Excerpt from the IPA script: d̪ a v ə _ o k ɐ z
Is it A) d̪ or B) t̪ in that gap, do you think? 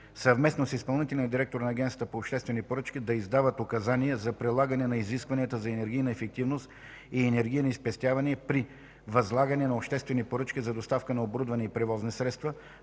B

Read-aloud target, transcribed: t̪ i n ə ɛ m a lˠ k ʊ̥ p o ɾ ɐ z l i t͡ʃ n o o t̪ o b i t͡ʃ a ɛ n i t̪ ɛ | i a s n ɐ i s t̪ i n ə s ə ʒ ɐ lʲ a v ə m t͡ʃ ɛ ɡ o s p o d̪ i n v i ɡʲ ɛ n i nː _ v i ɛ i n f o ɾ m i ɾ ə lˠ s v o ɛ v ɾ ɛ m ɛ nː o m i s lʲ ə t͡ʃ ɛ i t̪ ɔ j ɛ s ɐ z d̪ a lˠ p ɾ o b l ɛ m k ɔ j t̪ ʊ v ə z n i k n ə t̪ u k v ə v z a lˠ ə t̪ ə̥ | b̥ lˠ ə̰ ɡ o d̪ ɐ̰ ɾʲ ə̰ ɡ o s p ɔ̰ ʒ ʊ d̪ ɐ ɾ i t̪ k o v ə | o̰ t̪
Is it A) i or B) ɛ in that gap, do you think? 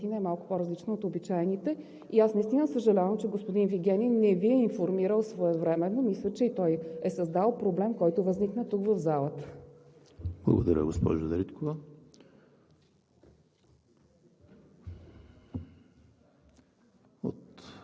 B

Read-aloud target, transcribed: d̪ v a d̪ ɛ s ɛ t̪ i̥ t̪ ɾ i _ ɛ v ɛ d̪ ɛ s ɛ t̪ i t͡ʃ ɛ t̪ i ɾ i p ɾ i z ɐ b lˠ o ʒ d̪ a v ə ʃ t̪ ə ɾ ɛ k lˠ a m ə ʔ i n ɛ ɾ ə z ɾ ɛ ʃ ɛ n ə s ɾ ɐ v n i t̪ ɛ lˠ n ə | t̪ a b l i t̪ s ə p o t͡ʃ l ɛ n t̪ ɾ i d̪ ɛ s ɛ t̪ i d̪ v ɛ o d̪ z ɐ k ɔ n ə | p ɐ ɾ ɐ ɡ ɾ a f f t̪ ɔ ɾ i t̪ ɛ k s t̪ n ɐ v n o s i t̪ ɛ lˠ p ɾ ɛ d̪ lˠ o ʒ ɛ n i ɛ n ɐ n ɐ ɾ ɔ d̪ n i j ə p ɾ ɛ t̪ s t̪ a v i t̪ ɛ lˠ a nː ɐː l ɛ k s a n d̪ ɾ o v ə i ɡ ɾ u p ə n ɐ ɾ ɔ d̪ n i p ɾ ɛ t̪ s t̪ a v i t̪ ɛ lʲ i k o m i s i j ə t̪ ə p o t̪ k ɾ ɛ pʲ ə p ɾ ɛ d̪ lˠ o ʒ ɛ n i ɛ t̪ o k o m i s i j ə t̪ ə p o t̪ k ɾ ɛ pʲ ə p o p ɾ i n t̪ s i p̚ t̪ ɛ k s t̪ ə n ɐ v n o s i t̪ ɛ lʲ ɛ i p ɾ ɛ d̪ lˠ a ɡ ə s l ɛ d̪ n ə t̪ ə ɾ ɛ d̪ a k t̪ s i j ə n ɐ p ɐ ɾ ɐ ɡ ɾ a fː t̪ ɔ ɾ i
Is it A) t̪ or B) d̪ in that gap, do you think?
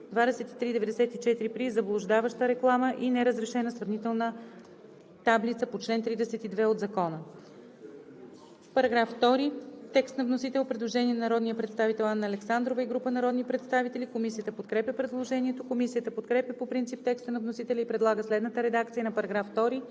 B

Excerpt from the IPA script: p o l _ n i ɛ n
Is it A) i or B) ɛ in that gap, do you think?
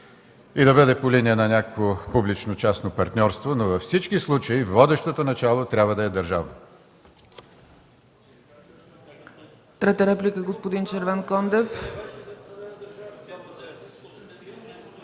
A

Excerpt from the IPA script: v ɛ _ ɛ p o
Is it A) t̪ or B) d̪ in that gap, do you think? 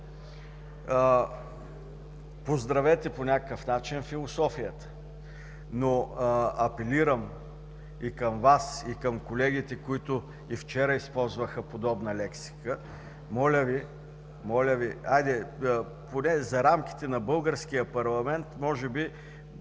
A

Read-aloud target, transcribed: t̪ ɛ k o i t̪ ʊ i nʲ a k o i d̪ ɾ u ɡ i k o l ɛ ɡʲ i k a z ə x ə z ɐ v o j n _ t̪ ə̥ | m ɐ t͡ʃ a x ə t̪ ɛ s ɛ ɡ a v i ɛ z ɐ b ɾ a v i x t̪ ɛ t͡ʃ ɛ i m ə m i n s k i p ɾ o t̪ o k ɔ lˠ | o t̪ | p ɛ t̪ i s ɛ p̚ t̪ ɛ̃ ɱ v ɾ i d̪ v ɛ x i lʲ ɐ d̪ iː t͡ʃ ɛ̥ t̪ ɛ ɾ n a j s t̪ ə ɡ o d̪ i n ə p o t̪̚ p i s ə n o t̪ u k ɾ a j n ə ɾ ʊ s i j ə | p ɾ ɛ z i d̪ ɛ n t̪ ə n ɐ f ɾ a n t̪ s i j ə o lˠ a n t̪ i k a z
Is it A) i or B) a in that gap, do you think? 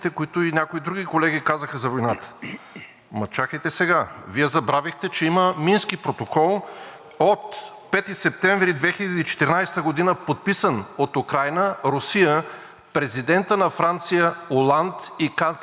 B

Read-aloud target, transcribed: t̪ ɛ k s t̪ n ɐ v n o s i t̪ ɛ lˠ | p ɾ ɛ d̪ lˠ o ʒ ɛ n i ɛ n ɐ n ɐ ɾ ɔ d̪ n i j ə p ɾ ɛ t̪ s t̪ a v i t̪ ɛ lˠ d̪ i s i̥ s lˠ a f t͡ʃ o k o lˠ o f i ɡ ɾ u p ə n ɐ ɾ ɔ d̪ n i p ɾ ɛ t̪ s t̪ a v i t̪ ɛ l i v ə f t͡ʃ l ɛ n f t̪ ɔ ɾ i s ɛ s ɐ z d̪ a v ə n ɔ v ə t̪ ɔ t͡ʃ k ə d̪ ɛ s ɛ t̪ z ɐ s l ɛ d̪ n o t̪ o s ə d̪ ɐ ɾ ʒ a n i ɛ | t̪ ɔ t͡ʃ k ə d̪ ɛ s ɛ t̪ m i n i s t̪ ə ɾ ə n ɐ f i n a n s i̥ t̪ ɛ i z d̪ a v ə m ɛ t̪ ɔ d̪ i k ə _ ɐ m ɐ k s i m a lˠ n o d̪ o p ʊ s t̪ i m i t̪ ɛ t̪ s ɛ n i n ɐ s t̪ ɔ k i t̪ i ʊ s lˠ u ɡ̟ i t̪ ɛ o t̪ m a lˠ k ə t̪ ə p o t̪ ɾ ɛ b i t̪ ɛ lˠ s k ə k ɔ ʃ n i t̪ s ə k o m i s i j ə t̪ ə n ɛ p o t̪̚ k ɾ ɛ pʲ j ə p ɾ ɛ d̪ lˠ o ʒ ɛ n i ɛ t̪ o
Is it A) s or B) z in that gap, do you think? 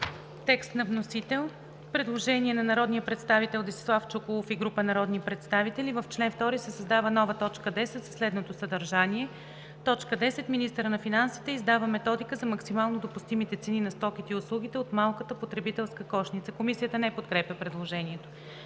B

